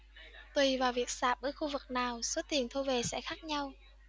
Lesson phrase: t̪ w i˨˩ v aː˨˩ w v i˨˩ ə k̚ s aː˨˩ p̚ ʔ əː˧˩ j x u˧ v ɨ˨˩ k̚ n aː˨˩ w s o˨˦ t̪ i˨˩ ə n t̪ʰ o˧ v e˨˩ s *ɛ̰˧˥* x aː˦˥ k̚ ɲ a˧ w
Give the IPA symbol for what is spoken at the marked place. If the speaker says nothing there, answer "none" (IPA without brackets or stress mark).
ɛ̰˧˥